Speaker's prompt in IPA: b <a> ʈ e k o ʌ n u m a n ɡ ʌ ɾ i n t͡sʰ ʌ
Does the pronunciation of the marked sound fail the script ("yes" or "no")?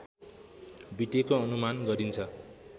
yes